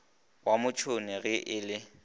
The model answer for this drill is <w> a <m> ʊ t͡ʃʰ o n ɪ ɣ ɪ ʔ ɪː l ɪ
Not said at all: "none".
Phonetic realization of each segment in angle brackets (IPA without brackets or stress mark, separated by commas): w, m